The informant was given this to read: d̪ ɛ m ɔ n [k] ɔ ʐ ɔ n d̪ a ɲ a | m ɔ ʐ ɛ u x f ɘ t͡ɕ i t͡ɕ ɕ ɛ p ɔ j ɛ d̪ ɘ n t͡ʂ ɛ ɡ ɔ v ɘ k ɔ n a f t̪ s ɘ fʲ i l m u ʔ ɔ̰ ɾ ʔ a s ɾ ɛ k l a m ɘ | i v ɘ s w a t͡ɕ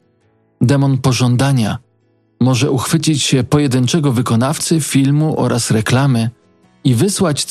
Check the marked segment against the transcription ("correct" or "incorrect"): incorrect